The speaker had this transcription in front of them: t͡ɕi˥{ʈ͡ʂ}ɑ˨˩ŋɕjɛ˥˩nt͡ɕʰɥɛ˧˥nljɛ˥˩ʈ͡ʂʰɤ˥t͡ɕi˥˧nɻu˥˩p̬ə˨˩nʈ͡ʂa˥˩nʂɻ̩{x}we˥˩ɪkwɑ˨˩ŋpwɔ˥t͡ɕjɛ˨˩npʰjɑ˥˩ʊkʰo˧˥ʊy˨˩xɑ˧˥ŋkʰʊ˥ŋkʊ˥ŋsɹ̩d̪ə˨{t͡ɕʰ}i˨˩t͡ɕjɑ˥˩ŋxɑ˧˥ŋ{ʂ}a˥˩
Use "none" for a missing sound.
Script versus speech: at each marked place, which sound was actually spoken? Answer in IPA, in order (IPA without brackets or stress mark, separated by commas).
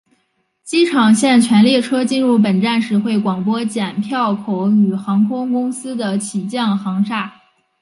ʈ͡ʂʰ, x, t͡ɕʰ, ʂ